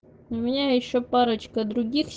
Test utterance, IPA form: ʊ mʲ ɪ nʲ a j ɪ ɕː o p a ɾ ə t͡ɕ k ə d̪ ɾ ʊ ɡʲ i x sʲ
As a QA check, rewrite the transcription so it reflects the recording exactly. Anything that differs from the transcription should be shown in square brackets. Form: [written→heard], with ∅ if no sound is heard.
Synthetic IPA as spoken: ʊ mʲ ɪ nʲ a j ɪ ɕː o p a ɾ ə t͡ɕ k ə d̪ ɾ ʊ ɡʲ i x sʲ